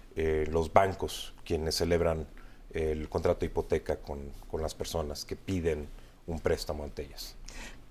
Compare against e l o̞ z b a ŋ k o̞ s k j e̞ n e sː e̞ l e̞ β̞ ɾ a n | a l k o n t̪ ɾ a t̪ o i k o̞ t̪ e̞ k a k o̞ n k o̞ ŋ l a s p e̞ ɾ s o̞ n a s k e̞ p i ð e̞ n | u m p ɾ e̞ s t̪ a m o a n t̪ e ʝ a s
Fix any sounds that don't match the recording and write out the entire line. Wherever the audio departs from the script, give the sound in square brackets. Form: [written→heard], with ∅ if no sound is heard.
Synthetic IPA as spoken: e l o̞ z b a ŋ k o̞ s k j e̞ n e sː e̞ l e̞ β̞ ɾ a n | [a→e] l k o n t̪ ɾ a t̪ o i [k→p] o̞ t̪ e̞ k a k o̞ n k o̞ [ŋ→n] l a s p e̞ ɾ s o̞ n a s k e̞ p i ð e̞ n | u m p ɾ e̞ s t̪ a m o a n t̪ e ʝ a s